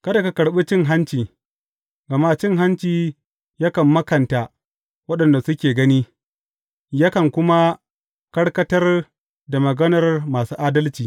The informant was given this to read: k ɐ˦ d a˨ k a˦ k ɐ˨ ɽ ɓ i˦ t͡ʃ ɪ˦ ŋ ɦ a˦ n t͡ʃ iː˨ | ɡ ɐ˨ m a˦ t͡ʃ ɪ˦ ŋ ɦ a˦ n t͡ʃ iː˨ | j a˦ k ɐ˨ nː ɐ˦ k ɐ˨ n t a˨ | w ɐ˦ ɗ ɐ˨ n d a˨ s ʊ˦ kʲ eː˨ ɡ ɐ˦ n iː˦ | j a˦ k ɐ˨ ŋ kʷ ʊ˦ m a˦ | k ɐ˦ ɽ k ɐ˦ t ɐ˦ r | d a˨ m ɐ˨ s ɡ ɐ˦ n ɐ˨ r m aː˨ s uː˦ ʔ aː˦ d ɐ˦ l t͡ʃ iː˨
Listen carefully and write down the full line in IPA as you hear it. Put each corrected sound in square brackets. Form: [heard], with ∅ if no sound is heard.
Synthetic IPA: k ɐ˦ d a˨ k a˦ k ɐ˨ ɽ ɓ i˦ t͡ʃ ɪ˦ ŋ ɦ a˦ n t͡ʃ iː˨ | ɡ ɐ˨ m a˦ t͡ʃ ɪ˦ ŋ ɦ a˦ n t͡ʃ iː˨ | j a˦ k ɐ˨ [mː] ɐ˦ k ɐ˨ n t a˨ | w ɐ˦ ɗ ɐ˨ n d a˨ s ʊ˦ kʲ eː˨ ɡ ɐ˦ n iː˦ | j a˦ k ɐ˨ ŋ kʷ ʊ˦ m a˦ | k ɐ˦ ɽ k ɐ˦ t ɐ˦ r | d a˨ m ɐ˨ [∅] ɡ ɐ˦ n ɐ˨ r m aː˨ s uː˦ ʔ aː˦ d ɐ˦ l t͡ʃ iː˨